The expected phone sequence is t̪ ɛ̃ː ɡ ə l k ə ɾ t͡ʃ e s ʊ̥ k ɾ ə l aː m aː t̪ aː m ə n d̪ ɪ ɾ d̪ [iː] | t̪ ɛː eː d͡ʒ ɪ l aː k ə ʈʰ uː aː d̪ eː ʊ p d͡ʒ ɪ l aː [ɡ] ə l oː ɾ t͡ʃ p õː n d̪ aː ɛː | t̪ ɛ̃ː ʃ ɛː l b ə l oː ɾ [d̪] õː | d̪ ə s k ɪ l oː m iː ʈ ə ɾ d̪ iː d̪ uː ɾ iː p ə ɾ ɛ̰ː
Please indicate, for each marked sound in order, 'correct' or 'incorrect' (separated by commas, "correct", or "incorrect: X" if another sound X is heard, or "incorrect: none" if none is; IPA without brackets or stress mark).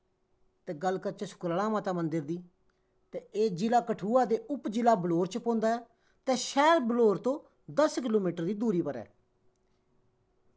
correct, incorrect: b, incorrect: t̪